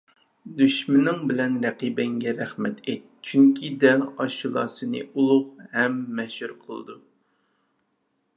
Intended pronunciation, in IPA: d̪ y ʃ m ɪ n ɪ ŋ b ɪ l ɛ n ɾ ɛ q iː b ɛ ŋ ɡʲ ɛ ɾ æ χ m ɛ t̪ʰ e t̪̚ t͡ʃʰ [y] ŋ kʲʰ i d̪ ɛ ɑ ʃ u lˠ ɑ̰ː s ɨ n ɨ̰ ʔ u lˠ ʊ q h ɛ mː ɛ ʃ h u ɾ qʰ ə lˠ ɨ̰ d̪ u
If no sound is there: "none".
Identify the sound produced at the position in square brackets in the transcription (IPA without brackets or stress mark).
y